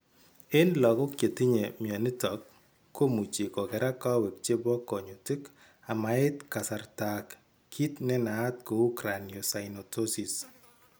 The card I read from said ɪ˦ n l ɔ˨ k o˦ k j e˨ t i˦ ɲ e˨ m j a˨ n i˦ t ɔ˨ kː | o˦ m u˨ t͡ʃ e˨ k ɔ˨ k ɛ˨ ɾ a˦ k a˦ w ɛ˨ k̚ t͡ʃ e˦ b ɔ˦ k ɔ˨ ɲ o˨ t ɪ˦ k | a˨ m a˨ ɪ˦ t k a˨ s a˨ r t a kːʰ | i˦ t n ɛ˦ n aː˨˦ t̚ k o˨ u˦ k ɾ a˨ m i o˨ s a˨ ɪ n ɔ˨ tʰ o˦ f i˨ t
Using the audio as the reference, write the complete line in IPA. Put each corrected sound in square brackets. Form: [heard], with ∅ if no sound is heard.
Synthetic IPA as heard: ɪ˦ n l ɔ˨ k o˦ k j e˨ t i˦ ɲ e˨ m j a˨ n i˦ t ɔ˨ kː | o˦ m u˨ t͡ʃ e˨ k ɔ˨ k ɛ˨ ɾ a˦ k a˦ w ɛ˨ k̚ t͡ʃ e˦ b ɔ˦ k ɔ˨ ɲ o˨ t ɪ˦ k | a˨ m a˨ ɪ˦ t k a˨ s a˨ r t a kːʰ | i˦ t n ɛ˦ n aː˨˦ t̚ k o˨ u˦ k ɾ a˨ [n] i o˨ s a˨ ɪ n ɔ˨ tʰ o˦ [s] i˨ [s]

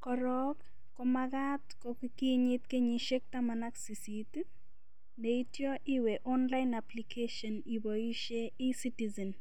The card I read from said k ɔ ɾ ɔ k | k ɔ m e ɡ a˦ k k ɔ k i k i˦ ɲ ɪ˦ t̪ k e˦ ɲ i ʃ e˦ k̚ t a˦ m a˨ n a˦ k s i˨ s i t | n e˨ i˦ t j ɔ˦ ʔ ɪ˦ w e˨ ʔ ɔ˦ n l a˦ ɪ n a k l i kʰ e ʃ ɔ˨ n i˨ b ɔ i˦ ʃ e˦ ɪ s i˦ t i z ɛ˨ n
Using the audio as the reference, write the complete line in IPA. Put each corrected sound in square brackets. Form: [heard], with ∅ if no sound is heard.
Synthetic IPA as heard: k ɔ ɾ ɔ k | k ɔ m [a] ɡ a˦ [t] k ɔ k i k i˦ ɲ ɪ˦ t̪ k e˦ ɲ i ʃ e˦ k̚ t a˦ m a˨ n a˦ k s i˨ s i t | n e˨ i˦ t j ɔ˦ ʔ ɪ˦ w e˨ ʔ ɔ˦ n l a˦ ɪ n a [p] l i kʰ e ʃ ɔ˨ n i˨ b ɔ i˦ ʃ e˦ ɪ s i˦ t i z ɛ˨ n

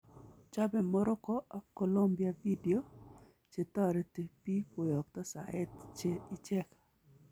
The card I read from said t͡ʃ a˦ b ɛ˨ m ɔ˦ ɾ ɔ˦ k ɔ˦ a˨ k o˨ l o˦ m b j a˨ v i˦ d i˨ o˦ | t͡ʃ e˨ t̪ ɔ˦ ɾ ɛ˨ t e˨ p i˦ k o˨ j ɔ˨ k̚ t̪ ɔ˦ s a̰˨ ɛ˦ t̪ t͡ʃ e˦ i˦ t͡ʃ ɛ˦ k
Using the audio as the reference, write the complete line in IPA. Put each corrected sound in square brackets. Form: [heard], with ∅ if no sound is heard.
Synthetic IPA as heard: t͡ʃ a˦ b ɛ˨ m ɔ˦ ɾ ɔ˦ k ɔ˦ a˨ k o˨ l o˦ m b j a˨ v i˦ d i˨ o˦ | t͡ʃ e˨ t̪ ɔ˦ ɾ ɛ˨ t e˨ p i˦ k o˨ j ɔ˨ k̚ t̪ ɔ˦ s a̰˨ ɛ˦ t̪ t͡ʃ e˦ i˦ t͡ʃ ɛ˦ k

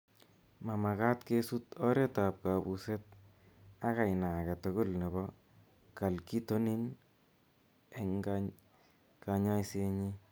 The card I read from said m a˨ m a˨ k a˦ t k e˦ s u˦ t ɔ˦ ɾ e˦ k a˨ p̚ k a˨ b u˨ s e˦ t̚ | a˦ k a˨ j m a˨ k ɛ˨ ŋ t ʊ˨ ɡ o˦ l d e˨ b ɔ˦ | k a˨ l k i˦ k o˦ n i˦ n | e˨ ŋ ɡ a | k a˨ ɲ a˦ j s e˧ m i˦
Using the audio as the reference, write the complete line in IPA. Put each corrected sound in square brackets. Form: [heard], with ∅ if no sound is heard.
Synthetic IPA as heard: m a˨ m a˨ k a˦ t k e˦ s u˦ t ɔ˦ ɾ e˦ [t] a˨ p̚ k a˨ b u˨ s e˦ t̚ | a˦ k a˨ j [n] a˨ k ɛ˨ [∅] t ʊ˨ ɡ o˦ l [n] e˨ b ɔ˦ | k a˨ l k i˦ [t] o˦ n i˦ n | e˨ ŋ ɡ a | k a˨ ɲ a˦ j s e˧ [ɲ] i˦

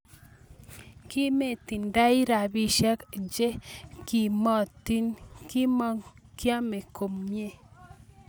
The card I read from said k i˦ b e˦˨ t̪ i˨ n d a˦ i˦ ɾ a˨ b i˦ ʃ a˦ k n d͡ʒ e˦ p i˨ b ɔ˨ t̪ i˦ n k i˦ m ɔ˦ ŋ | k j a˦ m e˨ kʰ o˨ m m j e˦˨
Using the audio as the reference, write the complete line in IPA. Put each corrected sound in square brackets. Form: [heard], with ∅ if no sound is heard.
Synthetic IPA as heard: k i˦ [m] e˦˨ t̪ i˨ n d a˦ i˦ ɾ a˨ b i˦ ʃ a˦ k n d͡ʒ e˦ [k] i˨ [m] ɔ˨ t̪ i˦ n k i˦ m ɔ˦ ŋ | k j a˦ m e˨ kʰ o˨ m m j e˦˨

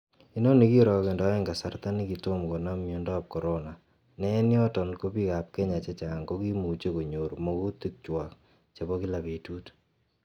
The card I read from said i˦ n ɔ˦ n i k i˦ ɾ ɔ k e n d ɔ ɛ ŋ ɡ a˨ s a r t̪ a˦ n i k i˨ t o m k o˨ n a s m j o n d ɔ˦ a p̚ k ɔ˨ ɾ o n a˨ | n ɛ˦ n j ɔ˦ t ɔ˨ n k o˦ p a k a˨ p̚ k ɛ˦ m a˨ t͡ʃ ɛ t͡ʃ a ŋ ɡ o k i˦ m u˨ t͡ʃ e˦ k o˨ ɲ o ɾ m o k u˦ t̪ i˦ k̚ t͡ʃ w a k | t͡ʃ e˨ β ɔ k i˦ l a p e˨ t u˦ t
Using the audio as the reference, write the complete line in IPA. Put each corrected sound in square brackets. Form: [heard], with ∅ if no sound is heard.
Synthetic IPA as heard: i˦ n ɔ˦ n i k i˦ ɾ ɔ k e n d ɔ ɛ ŋ ɡ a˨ s a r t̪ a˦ n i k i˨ t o m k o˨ n a [∅] m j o n d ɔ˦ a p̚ k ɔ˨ ɾ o n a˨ | n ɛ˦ n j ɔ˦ t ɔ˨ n k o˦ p [i] k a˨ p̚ k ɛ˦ [ɲ] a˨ t͡ʃ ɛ t͡ʃ a ŋ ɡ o k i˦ m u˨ t͡ʃ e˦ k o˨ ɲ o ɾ m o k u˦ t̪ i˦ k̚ t͡ʃ w a k | t͡ʃ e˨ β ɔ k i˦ l a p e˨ t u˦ t

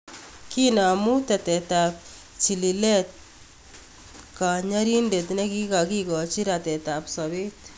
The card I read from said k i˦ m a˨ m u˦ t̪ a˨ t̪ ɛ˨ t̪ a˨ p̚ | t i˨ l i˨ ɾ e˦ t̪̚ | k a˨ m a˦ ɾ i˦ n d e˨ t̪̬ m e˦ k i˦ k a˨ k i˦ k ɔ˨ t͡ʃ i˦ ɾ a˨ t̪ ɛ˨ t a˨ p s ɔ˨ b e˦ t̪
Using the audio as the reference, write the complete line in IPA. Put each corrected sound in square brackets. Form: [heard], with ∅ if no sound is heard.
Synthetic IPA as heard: k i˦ [n] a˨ m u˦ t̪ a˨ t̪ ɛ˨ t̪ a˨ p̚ | [t͡ʃ] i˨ l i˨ [l] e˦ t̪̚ | k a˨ [ɲ] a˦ ɾ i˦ n d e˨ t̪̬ [n] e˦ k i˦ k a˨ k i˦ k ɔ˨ t͡ʃ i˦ ɾ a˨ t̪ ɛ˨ t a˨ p s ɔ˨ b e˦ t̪

